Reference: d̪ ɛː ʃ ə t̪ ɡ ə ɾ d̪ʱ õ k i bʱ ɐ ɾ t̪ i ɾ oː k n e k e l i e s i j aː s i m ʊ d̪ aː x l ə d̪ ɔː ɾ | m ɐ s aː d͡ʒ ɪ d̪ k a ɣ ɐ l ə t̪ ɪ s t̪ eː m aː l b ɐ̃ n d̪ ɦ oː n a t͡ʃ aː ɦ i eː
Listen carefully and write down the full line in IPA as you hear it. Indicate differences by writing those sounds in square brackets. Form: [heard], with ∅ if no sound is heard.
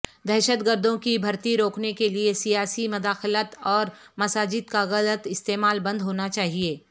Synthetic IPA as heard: d̪ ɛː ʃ ə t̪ ɡ ə ɾ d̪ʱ õ k i bʱ ɐ ɾ t̪ i ɾ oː k n e k e l i e s i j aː s i m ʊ d̪ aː x l ə [t̪] ɔː ɾ | m ɐ s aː d͡ʒ ɪ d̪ k a ɣ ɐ l ə t̪ ɪ s t̪ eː m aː l b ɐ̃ n d̪ ɦ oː n a t͡ʃ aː ɦ i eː

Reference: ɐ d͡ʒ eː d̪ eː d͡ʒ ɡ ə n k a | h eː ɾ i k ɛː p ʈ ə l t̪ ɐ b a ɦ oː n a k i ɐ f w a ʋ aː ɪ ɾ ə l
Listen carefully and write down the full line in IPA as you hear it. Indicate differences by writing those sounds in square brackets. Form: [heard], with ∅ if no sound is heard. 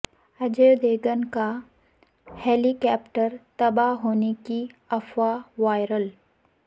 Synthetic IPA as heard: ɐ d͡ʒ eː d̪ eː [∅] ɡ ə n k a | h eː [l] i k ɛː p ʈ ə [ɾ] t̪ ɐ b a ɦ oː n [e] k i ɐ f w a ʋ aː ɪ ɾ ə l

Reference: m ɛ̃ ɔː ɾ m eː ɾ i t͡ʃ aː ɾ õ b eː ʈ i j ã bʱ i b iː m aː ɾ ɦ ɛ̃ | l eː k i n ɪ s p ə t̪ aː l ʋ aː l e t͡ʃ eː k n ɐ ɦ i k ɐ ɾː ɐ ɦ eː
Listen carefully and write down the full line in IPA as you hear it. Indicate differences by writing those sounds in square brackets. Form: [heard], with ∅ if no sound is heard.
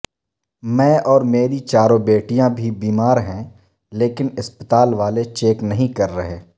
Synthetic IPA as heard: m ɛ̃ ɔː ɾ m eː ɾ i t͡ʃ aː ɾ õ b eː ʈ i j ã bʱ i b iː m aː ɾ ɦ ɛ̃ | l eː k [ɪ] n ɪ s p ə t̪ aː l ʋ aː l e t͡ʃ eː k n ɐ ɦ [ĩ] k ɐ ɾː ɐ ɦ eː

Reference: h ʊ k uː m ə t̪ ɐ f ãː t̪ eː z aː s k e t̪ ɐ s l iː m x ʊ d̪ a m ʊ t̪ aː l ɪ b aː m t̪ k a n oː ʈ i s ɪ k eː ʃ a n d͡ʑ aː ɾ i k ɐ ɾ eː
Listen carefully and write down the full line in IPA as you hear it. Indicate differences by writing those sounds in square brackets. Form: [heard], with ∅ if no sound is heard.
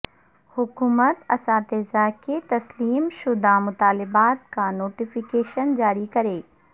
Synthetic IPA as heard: h ʊ k uː m ə t̪ ɐ [s] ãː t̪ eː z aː [∅] k e t̪ ɐ s l iː m [ʃ] ʊ d̪ a m ʊ t̪ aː l ɪ b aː [∅] t̪ k a n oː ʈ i [f] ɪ k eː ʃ [ə] n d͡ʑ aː ɾ i k ɐ ɾ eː

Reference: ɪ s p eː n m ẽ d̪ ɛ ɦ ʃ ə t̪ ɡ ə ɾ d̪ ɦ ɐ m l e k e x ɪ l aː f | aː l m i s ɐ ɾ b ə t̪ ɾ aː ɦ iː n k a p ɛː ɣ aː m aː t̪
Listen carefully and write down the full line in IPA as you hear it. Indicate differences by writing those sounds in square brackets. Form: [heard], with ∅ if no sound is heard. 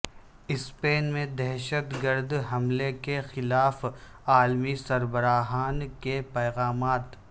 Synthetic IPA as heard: ɪ s p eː n m ẽ d̪ ɛ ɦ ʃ ə t̪ ɡ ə ɾ d̪ ɦ ɐ m l e k e x ɪ l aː f | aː l m i s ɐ ɾ b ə [∅] ɾ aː ɦ [aː] n k [e] p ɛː ɣ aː m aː t̪

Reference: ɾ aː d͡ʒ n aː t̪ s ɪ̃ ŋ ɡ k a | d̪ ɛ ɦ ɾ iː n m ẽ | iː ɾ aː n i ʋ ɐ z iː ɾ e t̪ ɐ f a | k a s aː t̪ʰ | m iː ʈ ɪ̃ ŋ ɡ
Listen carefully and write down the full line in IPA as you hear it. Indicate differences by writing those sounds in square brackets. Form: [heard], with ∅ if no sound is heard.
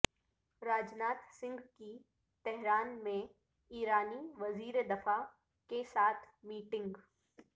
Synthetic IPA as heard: ɾ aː d͡ʒ n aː t̪ s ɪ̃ ŋ ɡ k [i] | [t̪] ɛ ɦ ɾ [aː] n m ẽ | iː ɾ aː n i ʋ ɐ z iː ɾ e [d̪] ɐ f a | k [e] s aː t̪ʰ | m iː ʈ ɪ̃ ŋ ɡ

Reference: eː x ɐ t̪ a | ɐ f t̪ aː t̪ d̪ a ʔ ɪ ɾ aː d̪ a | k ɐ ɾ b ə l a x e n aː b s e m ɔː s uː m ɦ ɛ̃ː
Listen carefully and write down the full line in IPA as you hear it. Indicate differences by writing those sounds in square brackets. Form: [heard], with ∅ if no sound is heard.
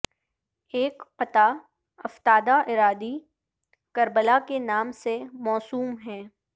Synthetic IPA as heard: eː [k] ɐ t̪ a | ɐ f t̪ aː [∅] d̪ a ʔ ɪ ɾ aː d̪ [i] | k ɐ ɾ b ə l a [k] e n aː [m] s e m ɔː s uː m ɦ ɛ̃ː

